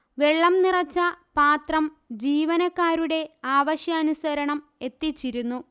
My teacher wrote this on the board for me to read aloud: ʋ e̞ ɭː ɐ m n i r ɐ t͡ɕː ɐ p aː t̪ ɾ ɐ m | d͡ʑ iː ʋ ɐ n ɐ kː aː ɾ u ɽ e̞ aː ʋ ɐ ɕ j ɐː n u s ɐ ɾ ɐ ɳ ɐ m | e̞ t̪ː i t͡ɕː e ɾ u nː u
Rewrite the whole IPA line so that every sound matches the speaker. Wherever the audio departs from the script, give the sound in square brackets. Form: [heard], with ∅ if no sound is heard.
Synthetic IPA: ʋ e̞ ɭː ɐ m n i r ɐ t͡ɕː ɐ p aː t̪ [r] ɐ m | d͡ʑ iː ʋ ɐ n ɐ kː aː ɾ u ɽ e̞ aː ʋ ɐ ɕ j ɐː n u s ɐ ɾ ɐ ɳ ɐ m | e̞ t̪ː i t͡ɕː [i] ɾ u nː u